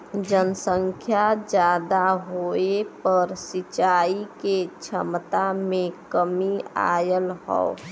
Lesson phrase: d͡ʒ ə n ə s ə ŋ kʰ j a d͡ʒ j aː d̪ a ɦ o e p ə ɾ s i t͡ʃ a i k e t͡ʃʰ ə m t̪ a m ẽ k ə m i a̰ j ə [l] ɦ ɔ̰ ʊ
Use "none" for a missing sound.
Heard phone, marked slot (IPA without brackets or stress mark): l